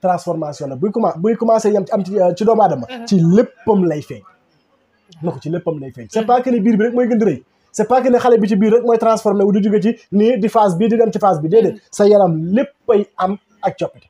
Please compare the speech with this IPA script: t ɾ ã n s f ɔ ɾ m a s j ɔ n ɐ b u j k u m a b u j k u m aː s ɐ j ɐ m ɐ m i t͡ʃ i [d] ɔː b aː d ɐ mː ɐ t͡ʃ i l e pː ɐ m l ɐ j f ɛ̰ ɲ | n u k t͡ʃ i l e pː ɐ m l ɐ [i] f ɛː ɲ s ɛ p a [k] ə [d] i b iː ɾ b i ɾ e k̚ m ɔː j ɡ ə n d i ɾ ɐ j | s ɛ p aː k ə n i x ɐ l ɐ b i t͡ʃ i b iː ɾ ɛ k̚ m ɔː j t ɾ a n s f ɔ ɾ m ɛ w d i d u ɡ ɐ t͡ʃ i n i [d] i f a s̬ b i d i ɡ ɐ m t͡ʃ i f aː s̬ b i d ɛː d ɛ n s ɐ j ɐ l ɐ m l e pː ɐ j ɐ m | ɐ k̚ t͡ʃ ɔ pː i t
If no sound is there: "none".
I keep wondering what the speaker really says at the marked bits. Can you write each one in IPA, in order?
d, j, k, n, d

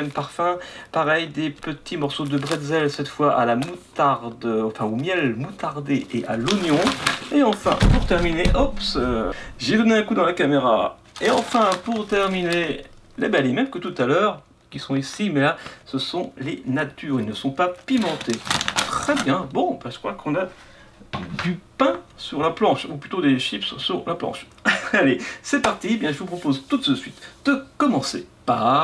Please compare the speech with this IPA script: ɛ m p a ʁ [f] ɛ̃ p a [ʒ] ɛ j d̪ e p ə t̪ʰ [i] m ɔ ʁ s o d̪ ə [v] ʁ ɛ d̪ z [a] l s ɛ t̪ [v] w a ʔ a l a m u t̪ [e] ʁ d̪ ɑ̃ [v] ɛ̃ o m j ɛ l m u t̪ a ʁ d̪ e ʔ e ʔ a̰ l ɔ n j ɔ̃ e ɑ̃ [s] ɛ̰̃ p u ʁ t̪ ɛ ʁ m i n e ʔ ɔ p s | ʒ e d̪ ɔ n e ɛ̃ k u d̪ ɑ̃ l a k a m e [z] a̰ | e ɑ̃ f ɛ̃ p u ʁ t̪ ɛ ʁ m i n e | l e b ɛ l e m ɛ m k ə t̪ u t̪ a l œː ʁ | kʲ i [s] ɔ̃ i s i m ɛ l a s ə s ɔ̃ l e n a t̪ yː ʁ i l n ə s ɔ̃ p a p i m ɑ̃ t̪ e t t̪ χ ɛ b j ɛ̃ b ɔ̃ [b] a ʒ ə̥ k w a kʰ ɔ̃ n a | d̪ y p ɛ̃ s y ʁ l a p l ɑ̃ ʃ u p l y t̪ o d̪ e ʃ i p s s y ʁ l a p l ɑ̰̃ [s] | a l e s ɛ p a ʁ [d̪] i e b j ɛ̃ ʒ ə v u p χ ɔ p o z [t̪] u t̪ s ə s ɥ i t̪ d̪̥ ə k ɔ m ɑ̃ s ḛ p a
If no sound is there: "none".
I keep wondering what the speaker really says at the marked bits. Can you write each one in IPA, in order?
f, ʁ, i, b, ɛ, f, a, f, f, ʁ, s, b, ʃ, t̪, t̪

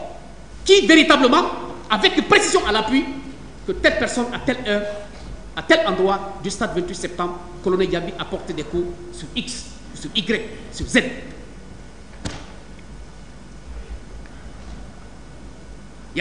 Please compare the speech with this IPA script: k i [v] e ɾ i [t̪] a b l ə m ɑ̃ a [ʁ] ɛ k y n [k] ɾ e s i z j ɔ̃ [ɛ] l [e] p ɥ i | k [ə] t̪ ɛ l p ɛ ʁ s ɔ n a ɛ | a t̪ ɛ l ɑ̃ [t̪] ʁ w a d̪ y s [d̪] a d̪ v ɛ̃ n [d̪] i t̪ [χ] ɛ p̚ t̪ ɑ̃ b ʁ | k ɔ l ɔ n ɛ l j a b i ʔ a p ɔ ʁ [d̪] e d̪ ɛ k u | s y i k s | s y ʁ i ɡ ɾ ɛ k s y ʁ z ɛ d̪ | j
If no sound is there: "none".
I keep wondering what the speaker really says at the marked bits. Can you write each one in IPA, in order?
v, t̪, v, p, a, a, ə, d̪, t̪, t̪, s, t̪

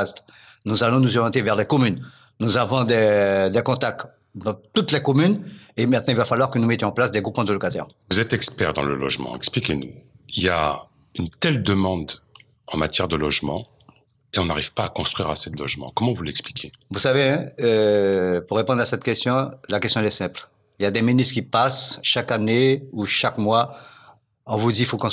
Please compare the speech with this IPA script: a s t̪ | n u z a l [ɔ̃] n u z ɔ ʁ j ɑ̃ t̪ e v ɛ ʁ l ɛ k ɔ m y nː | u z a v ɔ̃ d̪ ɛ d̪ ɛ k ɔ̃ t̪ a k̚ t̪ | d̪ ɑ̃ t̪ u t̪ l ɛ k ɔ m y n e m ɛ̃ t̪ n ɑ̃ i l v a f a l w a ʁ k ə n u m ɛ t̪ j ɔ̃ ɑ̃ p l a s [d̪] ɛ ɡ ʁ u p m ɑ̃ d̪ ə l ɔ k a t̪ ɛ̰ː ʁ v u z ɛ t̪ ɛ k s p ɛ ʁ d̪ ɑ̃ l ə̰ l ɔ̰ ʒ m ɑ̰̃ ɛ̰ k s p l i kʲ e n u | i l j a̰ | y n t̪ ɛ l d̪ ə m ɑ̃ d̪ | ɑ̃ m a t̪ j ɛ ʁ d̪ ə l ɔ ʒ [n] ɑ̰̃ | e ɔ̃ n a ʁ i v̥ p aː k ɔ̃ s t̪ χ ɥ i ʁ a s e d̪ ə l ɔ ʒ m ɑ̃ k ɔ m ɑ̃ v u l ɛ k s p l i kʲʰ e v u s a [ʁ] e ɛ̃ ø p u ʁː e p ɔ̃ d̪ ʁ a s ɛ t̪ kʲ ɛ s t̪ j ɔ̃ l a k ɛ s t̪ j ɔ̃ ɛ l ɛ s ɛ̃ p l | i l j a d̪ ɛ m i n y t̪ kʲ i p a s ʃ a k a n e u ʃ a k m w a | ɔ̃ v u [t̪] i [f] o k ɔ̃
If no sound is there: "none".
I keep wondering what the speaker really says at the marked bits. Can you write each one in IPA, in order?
ɔ̃, d̪, m, v, d̪, f

